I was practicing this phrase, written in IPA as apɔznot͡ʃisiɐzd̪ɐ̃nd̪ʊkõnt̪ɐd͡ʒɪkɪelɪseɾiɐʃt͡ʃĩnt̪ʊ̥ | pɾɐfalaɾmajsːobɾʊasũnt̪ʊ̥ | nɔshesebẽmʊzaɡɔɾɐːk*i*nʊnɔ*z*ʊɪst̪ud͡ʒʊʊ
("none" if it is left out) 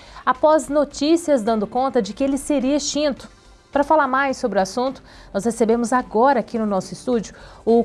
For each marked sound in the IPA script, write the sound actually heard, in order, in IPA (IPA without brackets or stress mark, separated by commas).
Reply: i, s